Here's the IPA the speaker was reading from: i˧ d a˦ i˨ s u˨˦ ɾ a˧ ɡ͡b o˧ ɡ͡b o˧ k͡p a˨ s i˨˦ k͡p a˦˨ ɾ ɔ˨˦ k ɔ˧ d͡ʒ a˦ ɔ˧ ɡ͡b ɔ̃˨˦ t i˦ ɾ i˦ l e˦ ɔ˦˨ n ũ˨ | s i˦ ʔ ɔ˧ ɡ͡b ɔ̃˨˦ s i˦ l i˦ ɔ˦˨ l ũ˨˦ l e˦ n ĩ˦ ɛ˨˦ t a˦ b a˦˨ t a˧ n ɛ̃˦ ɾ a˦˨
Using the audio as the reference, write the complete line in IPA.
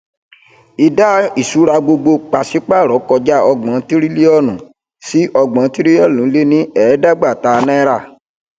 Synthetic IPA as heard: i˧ d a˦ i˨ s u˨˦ ɾ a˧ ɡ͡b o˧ ɡ͡b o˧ k͡p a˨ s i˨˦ k͡p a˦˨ ɾ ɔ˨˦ k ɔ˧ d͡ʒ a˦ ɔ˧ ɡ͡b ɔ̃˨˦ t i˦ ɾ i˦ l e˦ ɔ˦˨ n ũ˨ | s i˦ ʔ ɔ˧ ɡ͡b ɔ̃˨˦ t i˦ ɾ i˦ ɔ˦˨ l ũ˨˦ l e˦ n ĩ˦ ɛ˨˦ d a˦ ɡ͡b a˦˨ t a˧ n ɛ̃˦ ɾ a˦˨